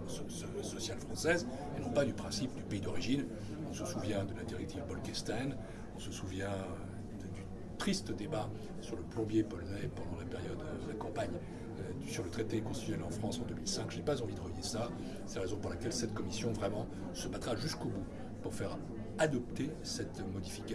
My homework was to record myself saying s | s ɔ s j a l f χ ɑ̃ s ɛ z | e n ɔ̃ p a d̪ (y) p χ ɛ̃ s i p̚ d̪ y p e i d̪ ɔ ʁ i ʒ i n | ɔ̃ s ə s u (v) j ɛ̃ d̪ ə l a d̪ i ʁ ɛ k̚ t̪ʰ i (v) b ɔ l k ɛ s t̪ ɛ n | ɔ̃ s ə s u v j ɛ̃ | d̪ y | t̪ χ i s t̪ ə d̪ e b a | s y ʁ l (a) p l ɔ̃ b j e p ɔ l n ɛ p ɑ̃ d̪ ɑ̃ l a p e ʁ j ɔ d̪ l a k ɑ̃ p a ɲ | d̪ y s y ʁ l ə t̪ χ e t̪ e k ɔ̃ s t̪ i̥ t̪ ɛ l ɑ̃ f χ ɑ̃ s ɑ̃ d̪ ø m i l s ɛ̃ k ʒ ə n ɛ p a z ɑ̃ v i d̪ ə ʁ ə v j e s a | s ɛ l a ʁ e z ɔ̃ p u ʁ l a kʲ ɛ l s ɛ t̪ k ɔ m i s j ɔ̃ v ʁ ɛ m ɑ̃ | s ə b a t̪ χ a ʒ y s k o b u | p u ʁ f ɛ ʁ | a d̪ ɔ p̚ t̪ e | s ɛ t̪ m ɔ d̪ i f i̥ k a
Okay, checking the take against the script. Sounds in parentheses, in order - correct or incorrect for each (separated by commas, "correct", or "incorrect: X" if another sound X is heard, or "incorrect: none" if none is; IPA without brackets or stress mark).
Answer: correct, correct, correct, incorrect: ə